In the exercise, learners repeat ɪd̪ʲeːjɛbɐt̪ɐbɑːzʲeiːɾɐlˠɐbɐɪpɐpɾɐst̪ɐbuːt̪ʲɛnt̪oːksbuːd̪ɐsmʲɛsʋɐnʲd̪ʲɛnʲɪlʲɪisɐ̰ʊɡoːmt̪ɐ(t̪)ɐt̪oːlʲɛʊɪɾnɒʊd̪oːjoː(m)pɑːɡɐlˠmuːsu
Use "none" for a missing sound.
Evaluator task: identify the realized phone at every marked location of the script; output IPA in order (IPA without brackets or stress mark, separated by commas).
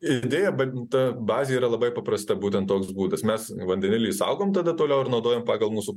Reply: d̪, m